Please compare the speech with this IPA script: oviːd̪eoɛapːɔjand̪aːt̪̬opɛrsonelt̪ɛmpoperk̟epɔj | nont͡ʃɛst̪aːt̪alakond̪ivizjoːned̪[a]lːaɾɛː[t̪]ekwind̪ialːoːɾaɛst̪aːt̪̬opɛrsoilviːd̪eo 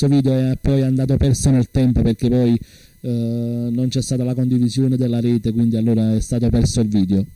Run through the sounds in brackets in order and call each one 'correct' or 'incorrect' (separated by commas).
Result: incorrect, correct